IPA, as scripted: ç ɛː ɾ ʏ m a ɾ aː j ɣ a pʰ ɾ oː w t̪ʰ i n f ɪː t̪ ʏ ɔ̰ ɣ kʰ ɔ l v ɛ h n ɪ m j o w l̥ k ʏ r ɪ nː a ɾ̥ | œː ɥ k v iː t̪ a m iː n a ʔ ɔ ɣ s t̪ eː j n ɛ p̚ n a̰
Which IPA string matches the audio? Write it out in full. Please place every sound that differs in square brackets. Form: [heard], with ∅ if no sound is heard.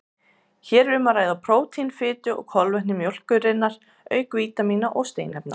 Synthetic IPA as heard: ç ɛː ɾ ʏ m a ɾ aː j [ð] a pʰ ɾ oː w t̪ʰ i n f ɪː t̪ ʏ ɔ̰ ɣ kʰ ɔ l v ɛ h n ɪ m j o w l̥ k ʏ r ɪ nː a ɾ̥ | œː ɥ k v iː t̪ a m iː n a ʔ ɔ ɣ s t̪ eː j n ɛ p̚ n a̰